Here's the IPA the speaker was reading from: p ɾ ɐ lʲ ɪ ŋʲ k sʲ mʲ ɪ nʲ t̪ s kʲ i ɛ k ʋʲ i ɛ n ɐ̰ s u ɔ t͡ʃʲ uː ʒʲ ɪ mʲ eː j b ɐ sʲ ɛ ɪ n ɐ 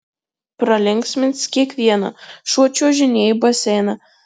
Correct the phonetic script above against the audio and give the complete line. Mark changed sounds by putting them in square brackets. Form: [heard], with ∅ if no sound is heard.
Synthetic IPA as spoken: p ɾ ɐ lʲ ɪ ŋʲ k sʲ mʲ ɪ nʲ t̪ s kʲ i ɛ k ʋʲ i ɛ n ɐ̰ [ʃ] u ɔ t͡ʃʲ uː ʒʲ ɪ [nʲ] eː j b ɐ sʲ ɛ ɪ n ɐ